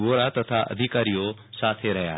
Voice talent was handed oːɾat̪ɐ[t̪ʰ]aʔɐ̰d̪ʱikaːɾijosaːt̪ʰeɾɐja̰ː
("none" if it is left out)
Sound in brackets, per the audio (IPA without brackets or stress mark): t̪ʰ